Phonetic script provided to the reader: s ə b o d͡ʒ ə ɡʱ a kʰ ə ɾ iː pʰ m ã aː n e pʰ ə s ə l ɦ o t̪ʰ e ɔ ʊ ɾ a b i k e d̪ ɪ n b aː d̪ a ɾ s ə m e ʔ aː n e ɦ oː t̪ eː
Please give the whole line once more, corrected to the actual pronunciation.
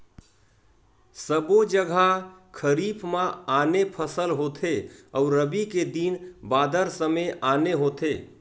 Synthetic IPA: s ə b o d͡ʒ ə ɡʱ a kʰ ə ɾ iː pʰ m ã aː n e pʰ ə s ə l ɦ o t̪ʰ e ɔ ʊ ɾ ə b i k e d̪ i n b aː d̪ ə ɾ s ə m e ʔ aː n e ɦ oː t̪ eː